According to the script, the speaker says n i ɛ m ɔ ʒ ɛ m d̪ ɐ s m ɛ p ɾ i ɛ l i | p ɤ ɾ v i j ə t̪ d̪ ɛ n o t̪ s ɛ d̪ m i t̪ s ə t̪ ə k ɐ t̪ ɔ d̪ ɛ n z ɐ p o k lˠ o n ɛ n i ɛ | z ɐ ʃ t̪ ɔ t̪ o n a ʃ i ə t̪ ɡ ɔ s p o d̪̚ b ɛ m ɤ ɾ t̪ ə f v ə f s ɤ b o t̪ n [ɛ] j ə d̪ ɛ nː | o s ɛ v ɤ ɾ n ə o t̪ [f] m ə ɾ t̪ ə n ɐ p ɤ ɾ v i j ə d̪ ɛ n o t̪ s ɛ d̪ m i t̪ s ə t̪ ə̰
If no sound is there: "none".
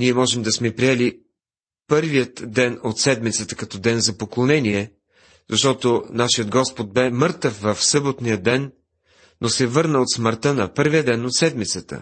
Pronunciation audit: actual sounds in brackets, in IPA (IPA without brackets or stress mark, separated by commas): i, s